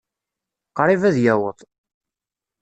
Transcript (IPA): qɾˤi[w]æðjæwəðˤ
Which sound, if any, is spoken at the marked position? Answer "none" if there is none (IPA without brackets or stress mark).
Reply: v